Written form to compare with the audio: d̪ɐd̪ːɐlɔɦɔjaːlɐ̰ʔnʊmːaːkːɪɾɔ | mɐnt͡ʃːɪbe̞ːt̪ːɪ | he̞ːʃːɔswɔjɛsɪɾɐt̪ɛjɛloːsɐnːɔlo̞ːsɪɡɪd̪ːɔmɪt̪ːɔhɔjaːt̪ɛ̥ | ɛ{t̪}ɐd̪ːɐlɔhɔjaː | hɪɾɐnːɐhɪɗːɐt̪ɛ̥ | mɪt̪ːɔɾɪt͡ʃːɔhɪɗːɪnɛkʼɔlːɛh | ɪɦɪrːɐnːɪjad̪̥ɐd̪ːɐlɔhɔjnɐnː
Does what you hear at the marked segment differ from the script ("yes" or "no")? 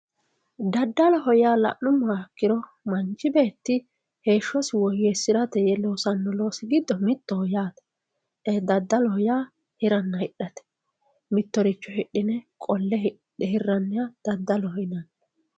yes